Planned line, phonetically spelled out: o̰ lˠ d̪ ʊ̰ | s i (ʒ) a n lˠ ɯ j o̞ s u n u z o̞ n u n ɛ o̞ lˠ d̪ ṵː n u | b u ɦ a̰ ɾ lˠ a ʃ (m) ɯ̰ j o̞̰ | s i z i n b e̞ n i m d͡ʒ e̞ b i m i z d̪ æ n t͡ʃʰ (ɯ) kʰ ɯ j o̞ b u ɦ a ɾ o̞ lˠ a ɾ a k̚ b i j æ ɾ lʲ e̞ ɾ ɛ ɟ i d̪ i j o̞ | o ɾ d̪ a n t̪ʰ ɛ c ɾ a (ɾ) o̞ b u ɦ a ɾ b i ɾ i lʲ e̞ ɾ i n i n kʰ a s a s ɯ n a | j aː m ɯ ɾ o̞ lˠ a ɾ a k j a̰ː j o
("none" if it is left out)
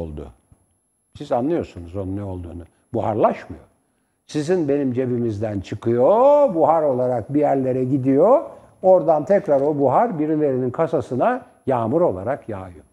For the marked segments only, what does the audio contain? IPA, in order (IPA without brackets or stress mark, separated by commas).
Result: z, m, ɯ, ɾ